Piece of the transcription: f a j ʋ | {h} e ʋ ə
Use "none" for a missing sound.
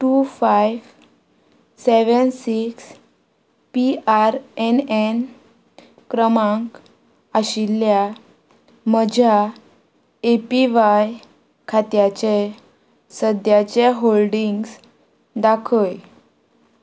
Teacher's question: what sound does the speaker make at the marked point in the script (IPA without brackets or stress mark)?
s